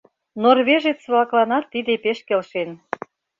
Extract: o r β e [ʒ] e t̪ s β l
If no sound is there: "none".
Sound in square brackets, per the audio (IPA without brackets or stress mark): ʒ